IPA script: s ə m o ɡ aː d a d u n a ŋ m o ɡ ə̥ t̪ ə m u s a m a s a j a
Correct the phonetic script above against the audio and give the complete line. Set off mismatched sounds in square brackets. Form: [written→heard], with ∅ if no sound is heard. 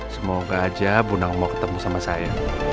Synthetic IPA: s ə m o ɡ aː [d→d͡ʒ] a [d→b] u n a ŋ m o [ɡ→k] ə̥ t̪ ə m u s a m a s a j a